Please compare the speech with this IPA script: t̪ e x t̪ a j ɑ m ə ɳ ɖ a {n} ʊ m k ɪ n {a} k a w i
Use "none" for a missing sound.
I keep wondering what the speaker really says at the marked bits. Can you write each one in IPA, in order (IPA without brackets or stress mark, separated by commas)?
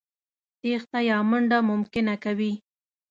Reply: m, a